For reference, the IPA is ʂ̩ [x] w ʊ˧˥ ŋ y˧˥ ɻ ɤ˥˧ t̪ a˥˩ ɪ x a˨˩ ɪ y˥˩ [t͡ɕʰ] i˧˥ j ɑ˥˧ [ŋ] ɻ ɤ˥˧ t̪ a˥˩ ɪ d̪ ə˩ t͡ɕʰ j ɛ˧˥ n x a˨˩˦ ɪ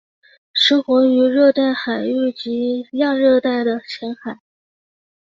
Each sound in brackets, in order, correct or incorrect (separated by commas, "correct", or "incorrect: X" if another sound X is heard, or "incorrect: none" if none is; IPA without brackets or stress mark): correct, incorrect: t͡ɕ, correct